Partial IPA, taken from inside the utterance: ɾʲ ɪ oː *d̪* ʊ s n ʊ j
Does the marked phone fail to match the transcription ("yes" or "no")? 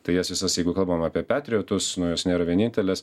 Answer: yes